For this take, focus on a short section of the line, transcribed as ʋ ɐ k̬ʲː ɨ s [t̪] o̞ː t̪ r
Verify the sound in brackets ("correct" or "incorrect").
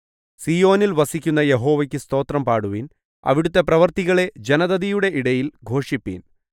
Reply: correct